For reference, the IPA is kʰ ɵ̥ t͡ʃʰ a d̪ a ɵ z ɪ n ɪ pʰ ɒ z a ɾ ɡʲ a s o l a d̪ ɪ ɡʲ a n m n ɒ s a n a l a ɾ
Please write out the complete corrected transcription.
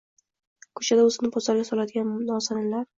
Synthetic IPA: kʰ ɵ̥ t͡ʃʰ a d̪ a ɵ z ɪ n ɪ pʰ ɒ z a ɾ ɡʲ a s ɒ l a d̪ ɪ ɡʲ a n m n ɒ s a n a l a ɾ